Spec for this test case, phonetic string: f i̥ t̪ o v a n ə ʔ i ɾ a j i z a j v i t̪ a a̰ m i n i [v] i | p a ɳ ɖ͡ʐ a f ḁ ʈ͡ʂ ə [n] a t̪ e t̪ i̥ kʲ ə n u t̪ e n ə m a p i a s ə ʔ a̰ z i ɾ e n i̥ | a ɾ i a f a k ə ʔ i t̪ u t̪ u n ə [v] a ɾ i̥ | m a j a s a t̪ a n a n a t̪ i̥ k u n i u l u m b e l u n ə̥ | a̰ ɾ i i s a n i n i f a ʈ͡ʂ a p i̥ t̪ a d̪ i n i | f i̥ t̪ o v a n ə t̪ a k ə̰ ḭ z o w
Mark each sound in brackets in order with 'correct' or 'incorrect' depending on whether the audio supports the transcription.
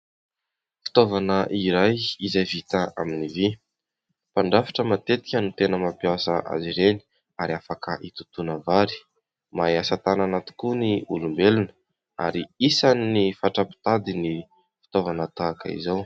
correct, incorrect: m, correct

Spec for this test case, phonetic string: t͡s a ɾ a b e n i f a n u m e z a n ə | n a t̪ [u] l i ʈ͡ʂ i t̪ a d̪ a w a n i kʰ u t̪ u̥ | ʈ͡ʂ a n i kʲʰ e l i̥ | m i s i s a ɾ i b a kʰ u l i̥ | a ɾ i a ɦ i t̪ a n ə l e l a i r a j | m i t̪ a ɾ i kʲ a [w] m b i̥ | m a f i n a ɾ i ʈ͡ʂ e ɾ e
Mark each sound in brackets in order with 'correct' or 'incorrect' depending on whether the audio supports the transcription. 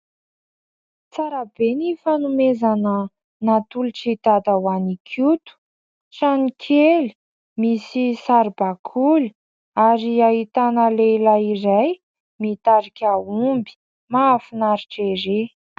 correct, incorrect: u

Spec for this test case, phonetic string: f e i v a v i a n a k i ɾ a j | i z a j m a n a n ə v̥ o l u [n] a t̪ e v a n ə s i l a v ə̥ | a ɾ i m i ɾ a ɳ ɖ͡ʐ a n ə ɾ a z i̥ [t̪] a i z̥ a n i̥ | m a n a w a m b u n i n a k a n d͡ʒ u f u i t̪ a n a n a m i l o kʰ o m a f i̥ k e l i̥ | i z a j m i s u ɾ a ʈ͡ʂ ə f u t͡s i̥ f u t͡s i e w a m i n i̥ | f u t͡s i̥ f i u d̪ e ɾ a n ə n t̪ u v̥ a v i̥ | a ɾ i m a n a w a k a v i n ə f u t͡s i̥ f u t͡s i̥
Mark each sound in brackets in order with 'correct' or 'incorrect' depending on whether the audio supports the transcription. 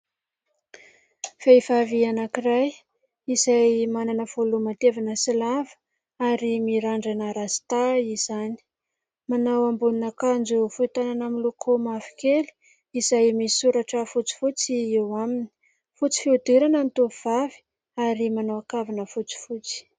incorrect: m, correct

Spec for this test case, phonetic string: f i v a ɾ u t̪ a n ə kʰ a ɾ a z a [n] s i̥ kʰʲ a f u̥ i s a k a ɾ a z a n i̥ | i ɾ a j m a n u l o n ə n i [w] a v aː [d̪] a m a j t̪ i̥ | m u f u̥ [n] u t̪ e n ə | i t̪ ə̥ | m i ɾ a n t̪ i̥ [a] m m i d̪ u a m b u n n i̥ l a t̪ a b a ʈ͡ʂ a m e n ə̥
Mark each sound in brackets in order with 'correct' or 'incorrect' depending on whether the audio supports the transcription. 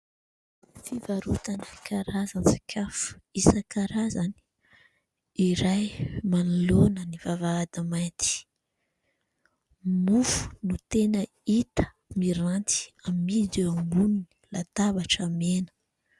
correct, incorrect: v, correct, correct, correct

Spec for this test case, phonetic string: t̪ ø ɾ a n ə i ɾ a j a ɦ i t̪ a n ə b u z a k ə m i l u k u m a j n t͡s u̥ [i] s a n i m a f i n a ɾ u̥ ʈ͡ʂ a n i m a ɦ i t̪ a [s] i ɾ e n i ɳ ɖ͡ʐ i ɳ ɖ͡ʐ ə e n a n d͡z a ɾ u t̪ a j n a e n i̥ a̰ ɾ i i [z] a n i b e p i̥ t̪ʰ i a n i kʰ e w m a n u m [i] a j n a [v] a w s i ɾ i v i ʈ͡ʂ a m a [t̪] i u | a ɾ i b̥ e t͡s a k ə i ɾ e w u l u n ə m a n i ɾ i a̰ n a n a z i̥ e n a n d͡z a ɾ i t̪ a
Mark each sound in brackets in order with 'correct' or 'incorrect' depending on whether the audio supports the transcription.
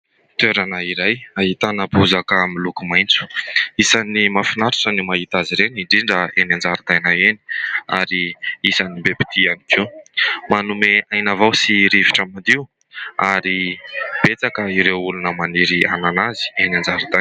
correct, incorrect: z, incorrect: s, incorrect: e, correct, incorrect: d̪

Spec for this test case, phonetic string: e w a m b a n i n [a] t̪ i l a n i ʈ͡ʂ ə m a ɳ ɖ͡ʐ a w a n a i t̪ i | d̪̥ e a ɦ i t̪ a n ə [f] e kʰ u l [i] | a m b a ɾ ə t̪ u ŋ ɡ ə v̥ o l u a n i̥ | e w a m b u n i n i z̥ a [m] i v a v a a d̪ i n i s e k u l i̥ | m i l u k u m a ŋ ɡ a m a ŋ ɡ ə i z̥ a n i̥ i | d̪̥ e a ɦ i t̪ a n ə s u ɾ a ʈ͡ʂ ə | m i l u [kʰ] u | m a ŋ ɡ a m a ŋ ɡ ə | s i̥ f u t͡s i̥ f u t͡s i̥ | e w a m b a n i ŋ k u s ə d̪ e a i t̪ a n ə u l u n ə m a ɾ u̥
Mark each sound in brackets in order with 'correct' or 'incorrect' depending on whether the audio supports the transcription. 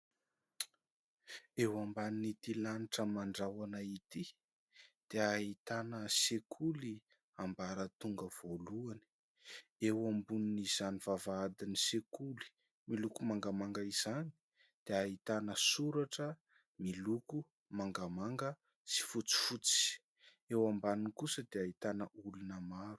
incorrect: i, incorrect: s, correct, incorrect: n, incorrect: k

